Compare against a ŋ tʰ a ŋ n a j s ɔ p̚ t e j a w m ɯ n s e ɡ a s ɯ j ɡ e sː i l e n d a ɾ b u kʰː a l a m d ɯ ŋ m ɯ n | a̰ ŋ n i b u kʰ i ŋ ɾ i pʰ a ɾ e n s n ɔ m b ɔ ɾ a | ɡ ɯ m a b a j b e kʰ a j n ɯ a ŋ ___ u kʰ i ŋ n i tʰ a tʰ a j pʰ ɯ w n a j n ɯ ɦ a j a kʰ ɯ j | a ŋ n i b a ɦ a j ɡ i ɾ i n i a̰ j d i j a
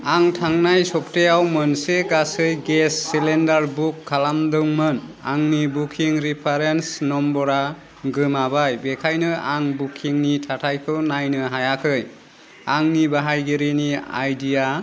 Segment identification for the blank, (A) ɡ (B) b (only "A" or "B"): B